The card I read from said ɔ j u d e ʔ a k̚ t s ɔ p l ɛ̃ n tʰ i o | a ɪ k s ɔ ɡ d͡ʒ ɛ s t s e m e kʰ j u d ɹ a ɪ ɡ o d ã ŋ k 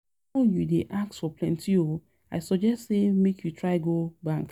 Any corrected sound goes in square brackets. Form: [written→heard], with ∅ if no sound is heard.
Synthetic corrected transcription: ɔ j u d e ʔ a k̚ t [s→f] ɔ p l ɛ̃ n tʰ i o | a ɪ [k→∅] s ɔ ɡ d͡ʒ ɛ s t s e m e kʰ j u [d→t] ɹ a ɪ ɡ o [d→b] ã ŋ k